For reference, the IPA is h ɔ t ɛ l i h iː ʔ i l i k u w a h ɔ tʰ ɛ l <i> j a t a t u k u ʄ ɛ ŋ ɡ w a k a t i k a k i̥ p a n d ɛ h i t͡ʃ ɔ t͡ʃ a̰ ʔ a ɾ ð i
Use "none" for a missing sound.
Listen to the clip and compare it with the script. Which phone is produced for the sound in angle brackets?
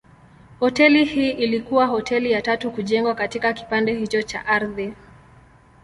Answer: i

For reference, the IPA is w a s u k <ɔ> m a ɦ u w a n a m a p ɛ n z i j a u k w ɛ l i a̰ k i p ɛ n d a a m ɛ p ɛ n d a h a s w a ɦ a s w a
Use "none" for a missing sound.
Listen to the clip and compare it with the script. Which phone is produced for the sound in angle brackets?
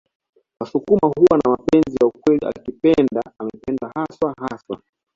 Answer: u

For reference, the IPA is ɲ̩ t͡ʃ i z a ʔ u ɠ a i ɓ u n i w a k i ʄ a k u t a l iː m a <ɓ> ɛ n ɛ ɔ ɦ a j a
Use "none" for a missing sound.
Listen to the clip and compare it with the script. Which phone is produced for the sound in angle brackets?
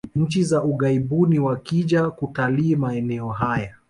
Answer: none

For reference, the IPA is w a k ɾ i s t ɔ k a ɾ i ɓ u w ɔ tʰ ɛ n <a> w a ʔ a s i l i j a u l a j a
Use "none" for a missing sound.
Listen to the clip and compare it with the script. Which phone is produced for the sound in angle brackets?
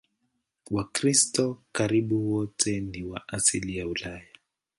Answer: i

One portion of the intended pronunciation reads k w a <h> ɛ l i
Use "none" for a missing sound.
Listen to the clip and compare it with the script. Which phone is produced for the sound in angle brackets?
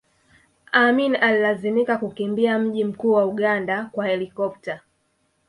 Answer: h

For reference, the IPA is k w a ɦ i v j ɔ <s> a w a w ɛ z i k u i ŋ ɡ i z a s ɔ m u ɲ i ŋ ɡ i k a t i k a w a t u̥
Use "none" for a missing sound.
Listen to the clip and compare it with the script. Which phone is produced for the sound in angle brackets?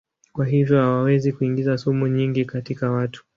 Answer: h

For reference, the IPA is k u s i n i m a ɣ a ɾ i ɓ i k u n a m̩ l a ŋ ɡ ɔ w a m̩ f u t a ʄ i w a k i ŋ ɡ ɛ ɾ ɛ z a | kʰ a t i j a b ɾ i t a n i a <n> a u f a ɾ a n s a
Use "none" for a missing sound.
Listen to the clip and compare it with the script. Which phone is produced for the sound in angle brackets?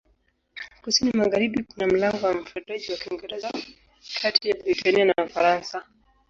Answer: n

